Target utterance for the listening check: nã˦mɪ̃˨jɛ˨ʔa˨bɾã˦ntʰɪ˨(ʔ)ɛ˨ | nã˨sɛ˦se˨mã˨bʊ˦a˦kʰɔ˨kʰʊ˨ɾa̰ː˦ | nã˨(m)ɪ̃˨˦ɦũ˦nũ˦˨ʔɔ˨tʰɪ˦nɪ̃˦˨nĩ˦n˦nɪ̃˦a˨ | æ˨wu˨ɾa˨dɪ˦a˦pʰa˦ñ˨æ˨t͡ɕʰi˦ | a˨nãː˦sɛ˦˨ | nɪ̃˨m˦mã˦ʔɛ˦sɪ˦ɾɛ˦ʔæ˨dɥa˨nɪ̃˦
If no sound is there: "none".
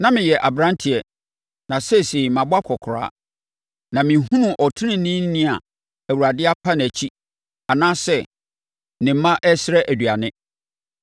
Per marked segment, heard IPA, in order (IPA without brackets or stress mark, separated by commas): none, m